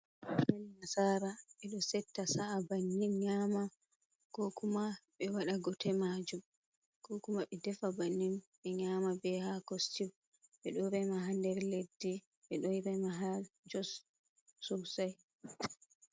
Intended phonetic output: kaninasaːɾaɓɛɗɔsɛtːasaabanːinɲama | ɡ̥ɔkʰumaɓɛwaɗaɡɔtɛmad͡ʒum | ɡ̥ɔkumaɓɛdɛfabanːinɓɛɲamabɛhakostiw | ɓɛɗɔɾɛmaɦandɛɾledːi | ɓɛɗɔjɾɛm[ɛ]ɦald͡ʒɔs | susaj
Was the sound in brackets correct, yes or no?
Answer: no